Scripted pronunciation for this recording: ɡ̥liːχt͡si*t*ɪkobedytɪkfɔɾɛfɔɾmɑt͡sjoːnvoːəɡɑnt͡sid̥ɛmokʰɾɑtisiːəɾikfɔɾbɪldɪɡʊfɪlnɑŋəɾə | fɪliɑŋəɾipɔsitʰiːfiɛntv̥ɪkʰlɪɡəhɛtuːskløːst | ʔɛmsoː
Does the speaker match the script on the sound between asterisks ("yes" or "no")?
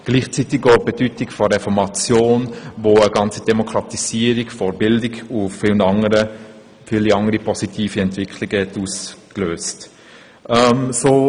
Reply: yes